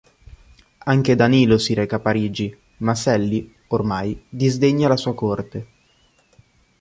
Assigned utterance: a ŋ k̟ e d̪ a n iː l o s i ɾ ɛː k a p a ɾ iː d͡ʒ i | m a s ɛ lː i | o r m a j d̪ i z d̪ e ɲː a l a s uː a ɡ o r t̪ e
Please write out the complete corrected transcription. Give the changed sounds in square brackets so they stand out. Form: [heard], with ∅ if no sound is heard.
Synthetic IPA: a ŋ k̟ e d̪ a n iː l o s i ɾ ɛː k a p a ɾ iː d͡ʒ i | m a s ɛ lː i | o r m a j d̪ i z d̪ e ɲː a l a s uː a [k] o r t̪ e